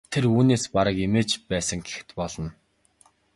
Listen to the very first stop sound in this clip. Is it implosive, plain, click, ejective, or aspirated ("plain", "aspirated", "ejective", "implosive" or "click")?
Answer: aspirated